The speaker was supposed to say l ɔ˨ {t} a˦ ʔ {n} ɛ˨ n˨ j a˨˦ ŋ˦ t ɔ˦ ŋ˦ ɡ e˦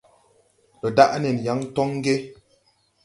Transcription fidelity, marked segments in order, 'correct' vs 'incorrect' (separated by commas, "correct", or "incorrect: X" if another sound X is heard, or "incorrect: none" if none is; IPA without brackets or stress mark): incorrect: d, correct